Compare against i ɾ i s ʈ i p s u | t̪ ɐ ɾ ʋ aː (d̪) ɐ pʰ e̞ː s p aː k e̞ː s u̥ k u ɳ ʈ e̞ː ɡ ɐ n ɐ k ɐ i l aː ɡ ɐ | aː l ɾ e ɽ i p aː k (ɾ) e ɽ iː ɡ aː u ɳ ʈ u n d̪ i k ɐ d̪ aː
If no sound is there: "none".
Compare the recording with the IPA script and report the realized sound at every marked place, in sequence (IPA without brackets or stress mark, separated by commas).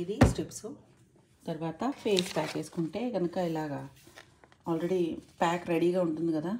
t̪, ɾ